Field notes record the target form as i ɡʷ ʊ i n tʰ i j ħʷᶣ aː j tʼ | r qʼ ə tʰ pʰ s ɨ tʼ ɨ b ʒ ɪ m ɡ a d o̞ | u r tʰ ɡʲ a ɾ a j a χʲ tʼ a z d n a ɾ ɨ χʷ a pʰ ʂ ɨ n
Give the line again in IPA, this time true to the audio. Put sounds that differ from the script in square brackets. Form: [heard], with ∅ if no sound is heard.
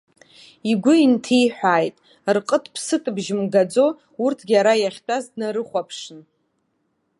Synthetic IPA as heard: i ɡʷ ʊ i n tʰ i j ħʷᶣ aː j tʼ | r qʼ ə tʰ pʰ s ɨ tʼ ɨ b ʒ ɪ m ɡ a [d͡z] o̞ | u r tʰ ɡʲ a ɾ a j a χʲ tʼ a z d n a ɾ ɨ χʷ a pʰ ʂ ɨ n